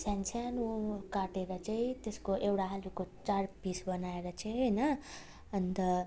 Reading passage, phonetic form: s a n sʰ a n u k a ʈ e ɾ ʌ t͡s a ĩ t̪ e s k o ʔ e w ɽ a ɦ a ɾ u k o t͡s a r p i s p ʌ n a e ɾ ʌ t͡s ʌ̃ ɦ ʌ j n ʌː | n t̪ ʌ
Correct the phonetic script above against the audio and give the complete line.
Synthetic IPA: s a n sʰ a n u k a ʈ e ɾ ʌ t͡s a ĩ t̪ e s k o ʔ e w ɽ a ɦ a l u k o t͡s a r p i s b ʌ n a e ɾ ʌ t͡s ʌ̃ ɦ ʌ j n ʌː | n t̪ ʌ